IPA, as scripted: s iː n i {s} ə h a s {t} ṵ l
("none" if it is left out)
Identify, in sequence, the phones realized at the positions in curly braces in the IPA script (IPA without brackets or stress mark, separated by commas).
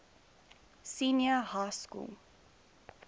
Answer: none, k